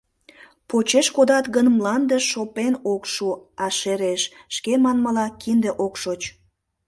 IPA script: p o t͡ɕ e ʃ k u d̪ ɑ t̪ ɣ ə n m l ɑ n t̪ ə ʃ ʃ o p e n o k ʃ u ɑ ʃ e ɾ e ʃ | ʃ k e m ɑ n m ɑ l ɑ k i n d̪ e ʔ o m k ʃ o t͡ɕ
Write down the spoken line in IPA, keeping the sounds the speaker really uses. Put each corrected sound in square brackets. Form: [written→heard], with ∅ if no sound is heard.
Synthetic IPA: p o t͡ɕ e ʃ k [u→o] d̪ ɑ t̪ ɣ ə n m l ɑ n [t̪→d̪] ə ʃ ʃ o p e n o k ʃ u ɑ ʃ e ɾ e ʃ | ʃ k e m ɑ n m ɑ l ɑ k i n d̪ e ʔ o [m→∅] k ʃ o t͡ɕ